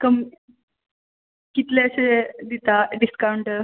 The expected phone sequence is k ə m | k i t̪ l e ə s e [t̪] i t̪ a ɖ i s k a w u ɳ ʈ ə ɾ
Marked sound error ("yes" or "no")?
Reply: yes